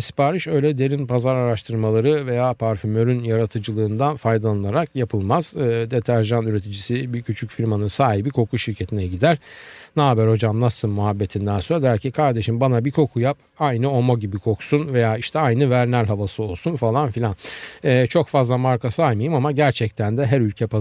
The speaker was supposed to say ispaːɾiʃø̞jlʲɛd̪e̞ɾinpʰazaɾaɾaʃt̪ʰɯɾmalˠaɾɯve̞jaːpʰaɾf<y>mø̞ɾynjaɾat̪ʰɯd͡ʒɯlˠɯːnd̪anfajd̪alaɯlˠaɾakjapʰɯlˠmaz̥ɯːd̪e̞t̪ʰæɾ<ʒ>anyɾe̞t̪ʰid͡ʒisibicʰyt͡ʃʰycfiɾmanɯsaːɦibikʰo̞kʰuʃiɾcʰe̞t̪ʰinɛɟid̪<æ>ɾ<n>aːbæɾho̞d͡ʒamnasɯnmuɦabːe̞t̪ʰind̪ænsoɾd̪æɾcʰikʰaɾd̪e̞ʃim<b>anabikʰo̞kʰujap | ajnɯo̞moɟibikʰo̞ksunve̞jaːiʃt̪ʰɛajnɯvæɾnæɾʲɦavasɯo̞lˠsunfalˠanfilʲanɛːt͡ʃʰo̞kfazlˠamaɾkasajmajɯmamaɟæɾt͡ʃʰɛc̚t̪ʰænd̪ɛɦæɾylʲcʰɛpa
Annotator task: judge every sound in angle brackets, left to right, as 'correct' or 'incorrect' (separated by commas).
correct, correct, correct, correct, correct